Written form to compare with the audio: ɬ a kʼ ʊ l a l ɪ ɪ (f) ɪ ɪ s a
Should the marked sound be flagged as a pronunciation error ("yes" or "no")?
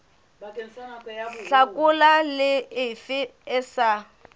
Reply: no